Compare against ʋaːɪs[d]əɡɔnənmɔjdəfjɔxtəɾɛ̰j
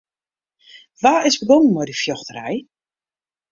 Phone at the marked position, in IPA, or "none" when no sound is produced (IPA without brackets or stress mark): b